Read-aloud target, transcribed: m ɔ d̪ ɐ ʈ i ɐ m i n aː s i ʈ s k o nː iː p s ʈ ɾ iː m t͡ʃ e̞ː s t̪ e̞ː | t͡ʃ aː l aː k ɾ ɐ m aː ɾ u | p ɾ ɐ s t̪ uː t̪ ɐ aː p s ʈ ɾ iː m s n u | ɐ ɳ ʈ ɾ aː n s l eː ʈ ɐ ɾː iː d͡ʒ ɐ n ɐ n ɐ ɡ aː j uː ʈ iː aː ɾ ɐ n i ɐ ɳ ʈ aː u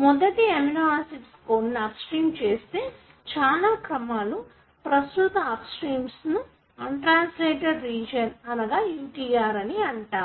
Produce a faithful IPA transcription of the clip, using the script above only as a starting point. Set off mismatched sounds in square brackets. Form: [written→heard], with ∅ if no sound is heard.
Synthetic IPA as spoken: m ɔ d̪ ɐ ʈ i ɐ m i n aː s i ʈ s k o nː [iː→aː] p s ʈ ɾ iː m t͡ʃ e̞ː s t̪ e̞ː | t͡ʃ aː l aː k ɾ ɐ m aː [ɾ→l] u | p ɾ ɐ s t̪ [uː→u] t̪ ɐ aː p s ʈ ɾ iː m s n u | ɐ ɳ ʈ ɾ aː n s l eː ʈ ɐ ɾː iː d͡ʒ ɐ n ɐ n ɐ ɡ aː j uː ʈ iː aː ɾ ɐ n i ɐ ɳ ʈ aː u